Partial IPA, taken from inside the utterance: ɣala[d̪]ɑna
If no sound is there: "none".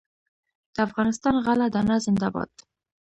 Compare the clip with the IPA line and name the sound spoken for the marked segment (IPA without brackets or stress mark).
d̪